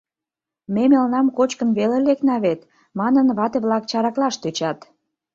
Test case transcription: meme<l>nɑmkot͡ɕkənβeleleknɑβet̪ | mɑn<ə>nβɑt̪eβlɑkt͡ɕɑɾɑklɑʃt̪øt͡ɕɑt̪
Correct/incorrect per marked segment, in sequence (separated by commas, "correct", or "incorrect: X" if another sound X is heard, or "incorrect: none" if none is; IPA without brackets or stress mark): correct, correct